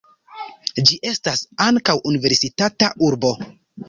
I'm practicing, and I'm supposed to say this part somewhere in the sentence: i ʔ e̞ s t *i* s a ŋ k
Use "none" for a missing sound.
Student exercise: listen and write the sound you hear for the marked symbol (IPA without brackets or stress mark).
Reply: a